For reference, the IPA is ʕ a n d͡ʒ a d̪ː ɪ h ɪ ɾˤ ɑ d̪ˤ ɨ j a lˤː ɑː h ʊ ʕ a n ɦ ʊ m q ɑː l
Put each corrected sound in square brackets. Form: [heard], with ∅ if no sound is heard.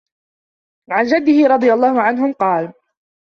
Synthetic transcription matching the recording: ʕ a n d͡ʒ a d̪ː ɪ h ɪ ɾˤ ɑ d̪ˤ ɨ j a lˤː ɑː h ʊ ʕ a n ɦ ʊ m q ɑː l